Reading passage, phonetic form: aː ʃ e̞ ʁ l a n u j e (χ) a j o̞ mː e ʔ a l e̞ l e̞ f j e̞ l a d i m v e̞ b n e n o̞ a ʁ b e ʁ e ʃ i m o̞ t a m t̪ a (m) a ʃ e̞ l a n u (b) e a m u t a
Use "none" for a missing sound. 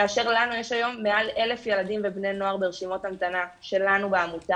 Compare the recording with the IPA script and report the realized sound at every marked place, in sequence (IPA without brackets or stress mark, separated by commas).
ʃ, n, b